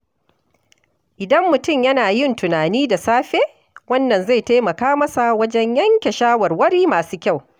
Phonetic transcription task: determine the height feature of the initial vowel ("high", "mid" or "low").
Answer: high